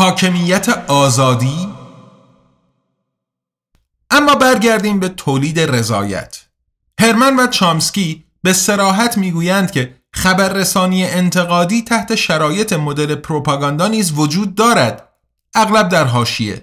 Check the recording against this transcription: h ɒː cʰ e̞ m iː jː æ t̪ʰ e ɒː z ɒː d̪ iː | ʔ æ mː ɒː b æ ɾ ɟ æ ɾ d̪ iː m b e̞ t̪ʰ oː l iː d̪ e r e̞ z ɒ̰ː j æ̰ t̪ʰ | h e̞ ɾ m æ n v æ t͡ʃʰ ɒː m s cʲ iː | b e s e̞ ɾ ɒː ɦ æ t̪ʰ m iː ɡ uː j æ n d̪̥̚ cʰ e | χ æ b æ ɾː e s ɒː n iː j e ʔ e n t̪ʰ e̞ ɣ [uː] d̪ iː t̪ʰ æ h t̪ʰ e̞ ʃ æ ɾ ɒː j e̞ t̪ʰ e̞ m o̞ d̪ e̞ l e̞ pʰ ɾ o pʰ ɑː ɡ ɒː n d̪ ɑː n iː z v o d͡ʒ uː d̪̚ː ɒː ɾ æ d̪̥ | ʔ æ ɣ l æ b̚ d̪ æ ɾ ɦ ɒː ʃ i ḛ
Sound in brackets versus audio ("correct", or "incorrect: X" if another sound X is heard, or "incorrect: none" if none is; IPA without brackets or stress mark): incorrect: ɒː